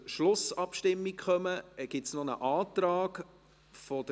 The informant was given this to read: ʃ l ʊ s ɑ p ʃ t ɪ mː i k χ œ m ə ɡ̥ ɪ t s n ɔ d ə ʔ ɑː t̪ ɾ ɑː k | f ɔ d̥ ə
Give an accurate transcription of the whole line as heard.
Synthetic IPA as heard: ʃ l ʊ s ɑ p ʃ t ɪ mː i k χ œ m ə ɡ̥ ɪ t s n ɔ n ə ʔ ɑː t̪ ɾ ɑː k | f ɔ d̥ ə